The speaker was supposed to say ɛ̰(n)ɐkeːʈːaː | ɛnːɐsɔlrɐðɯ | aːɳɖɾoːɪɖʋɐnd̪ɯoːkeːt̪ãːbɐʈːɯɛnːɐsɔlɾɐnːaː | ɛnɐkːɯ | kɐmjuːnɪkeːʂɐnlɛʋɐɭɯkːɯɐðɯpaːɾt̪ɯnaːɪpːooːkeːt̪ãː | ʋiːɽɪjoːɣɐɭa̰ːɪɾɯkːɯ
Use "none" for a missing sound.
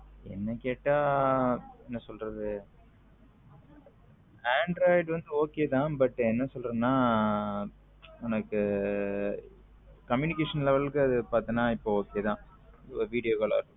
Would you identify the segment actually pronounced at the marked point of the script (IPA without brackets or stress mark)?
nː